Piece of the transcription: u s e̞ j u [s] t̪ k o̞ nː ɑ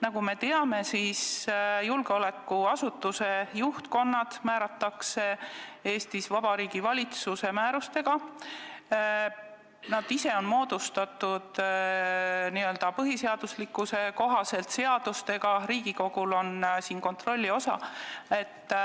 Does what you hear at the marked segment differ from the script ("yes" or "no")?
yes